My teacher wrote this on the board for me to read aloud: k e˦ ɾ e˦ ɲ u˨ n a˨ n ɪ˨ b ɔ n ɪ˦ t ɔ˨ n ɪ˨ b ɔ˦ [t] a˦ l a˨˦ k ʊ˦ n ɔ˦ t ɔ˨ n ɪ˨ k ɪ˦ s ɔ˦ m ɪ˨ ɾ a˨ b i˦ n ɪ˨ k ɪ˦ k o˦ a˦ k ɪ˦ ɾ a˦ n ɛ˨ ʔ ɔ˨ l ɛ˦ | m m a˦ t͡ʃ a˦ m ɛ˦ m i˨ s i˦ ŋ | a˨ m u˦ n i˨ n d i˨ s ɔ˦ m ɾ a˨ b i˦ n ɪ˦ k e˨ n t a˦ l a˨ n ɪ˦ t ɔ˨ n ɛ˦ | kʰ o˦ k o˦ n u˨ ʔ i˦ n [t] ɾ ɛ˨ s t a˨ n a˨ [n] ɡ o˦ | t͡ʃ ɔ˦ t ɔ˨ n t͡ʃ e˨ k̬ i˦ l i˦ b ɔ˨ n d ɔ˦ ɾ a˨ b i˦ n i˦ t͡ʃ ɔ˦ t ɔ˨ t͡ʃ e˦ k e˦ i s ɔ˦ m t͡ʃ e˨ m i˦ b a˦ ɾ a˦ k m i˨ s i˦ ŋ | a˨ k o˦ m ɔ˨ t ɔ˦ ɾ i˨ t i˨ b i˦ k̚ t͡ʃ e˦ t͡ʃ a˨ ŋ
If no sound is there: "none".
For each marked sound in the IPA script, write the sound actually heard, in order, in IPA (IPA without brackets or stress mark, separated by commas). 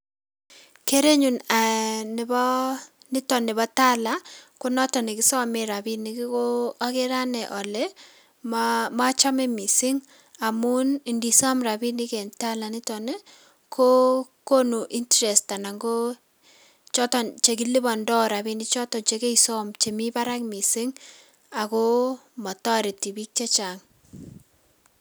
t, t, ŋ